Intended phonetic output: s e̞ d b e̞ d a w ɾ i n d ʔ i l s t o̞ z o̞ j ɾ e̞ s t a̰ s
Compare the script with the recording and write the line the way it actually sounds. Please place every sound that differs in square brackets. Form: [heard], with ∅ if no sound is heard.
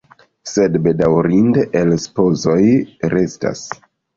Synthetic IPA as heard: s e̞ d b e̞ d a w ɾ i n d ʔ [e] l s [p] o̞ z o̞ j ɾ e̞ s t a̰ s

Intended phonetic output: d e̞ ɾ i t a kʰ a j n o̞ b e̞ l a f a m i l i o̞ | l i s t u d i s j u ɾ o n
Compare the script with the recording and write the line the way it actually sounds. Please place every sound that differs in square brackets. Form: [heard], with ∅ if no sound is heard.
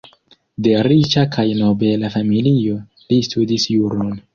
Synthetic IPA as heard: d e̞ ɾ i [t͡ʃ] a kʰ a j n o̞ b e̞ l a f a m i l i o̞ | l i s t u d i s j u ɾ o n

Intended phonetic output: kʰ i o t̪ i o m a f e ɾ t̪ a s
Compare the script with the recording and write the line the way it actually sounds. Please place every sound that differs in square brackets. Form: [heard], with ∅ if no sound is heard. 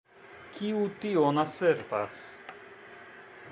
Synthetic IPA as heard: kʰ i [u] t̪ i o [n] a [s] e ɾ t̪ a s

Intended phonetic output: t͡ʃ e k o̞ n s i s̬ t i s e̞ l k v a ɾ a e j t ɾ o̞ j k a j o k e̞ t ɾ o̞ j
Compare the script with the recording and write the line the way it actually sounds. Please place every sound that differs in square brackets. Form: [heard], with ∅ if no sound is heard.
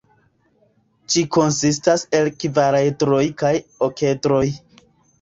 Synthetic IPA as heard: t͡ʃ [i] k o̞ n s i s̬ t [a] s e̞ l k v a ɾ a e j t ɾ o̞ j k a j o k e̞ t ɾ o̞ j

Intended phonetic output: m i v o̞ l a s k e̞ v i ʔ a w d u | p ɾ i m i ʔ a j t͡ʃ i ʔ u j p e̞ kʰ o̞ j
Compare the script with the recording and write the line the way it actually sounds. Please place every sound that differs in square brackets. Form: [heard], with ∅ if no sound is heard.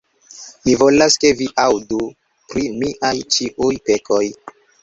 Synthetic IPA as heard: m i v o̞ l a s k e̞ v i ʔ a w d u | p ɾ i m i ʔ a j t͡ʃ i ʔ u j p e̞ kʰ o̞ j

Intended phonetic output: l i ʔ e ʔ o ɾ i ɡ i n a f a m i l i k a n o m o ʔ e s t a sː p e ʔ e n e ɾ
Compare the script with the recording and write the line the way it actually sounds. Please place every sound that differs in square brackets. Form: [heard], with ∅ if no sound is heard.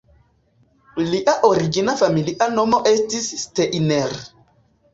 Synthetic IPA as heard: l i ʔ [a] ʔ o ɾ i ɡ i n a f a m i l i [ʔ] a n o m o ʔ e s t [i] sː [t] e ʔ [i] n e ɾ

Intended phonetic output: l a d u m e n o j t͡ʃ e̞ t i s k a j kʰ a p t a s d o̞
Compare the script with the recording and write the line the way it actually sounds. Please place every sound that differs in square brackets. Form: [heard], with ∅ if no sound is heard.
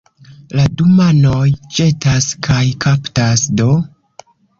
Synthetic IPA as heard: l a d u m [a] n o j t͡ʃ e̞ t [a] s k a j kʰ a p t a s d o̞

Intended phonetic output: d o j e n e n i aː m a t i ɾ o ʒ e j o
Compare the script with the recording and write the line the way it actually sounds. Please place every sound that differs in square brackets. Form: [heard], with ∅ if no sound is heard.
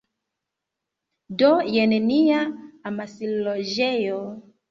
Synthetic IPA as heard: d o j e n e n i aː m a [s] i [l] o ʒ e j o

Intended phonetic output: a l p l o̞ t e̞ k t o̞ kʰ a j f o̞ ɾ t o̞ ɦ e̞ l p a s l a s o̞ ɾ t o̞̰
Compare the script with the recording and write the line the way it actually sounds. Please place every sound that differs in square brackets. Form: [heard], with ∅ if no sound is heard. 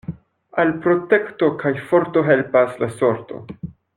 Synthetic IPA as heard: a l p [ɾ] o̞ t e̞ k t o̞ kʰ a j f o̞ ɾ t o̞ ɦ e̞ l p a s l a s o̞ ɾ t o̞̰

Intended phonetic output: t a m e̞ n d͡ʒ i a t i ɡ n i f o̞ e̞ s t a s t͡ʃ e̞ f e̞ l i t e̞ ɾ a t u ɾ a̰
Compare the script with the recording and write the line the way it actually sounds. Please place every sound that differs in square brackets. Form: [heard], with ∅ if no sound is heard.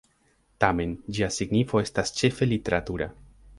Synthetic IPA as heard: t a m e̞ n d͡ʒ i a [s] i ɡ n i f o̞ e̞ s t a s t͡ʃ e̞ f e̞ l i t e̞ ɾ a t u ɾ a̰

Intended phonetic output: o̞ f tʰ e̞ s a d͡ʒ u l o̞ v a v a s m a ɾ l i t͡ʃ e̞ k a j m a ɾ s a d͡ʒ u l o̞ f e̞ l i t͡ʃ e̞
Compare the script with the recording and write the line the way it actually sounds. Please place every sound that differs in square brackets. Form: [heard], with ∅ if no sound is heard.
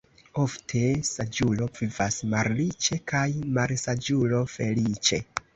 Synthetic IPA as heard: o̞ f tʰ e̞ s a d͡ʒ u l o̞ v [i] v a s m a ɾ l i t͡ʃ e̞ k a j m a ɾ s a d͡ʒ u l o̞ f e̞ l i t͡ʃ e̞

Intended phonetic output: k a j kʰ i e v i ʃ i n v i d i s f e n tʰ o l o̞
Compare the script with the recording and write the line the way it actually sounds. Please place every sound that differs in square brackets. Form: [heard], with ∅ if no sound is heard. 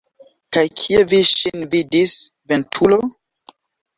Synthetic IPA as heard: k a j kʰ i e v i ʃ i n v i d i s [v] e n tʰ [u] l o̞

